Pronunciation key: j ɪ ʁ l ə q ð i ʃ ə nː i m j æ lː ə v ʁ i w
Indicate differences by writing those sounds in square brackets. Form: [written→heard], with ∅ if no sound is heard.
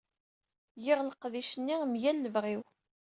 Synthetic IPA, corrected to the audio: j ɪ ʁ l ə q ð i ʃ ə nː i m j æ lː ə v ʁ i w